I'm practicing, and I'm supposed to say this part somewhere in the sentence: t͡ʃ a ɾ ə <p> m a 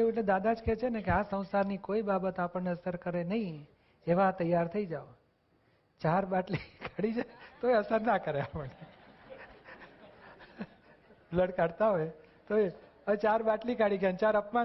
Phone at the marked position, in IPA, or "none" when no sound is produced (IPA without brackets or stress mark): p